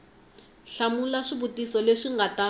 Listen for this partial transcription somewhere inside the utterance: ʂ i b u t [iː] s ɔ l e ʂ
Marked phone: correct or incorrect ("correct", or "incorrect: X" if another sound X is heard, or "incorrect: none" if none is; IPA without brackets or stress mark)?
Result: incorrect: i